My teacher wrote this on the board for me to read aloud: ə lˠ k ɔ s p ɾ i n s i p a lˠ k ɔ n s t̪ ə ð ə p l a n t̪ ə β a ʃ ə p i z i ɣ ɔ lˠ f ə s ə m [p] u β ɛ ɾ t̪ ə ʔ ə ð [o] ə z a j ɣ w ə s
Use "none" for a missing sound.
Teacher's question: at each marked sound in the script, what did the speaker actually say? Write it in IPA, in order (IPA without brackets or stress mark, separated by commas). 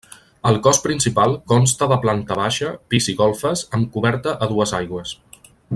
k, u